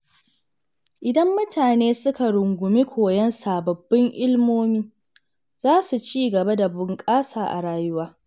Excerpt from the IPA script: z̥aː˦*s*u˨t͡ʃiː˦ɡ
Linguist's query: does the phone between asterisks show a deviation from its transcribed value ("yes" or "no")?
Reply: no